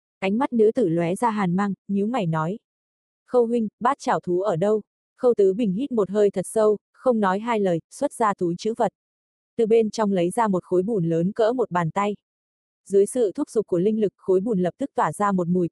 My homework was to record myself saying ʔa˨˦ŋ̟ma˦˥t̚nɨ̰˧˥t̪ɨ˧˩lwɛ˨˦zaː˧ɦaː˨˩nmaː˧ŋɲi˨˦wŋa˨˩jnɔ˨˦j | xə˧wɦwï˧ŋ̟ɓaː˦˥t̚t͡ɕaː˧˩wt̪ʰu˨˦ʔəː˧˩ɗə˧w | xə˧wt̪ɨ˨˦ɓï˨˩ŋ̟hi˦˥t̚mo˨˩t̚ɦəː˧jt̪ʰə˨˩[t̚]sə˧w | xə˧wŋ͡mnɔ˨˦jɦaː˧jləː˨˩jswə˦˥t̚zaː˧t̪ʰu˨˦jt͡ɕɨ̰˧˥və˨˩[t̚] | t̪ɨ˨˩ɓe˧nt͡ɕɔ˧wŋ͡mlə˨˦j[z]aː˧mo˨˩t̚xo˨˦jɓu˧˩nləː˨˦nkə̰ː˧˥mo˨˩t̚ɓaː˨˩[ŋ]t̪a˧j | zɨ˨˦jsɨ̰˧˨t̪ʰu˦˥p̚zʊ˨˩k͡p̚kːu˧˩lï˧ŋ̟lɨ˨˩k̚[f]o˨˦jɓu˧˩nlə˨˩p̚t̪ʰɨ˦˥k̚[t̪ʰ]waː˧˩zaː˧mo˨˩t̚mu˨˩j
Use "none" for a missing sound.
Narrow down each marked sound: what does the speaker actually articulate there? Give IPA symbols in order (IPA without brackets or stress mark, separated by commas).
t̚, t̚, z, n, x, t̪